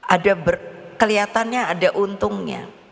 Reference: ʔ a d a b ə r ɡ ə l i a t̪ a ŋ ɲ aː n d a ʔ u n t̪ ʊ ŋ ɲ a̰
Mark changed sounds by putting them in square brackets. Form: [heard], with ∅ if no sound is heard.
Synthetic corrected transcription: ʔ a d a b ə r [k] ə l i a t̪ a [n] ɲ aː [∅] d a ʔ u n t̪ ʊ ŋ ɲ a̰